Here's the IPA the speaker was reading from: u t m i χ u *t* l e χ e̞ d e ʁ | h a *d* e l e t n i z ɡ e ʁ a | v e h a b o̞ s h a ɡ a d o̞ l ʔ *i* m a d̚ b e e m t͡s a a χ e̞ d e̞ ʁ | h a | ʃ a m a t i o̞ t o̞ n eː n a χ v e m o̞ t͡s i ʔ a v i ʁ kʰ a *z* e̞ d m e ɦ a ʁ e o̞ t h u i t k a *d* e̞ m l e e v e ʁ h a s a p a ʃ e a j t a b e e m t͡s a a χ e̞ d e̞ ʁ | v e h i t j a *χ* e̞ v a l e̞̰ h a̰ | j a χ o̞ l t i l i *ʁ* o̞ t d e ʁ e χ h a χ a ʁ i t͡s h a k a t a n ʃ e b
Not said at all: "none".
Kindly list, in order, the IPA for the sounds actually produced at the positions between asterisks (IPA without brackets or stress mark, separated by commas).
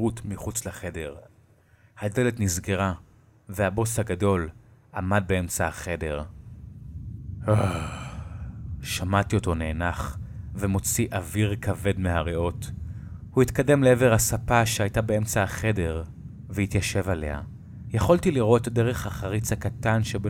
t͡s, d, a, v, d, ʃ, ʁ